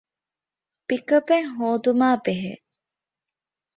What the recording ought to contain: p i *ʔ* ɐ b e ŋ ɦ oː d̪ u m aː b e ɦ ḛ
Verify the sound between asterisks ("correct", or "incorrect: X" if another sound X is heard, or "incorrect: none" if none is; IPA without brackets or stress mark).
incorrect: k